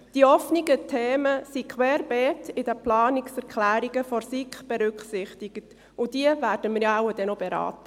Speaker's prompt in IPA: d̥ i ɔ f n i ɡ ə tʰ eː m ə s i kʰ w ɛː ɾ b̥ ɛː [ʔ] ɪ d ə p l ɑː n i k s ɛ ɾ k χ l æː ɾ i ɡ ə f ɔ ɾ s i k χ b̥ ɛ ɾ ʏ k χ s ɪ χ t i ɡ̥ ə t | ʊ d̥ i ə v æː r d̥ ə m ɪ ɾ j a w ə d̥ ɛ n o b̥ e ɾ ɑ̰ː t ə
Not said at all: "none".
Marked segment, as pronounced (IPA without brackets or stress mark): t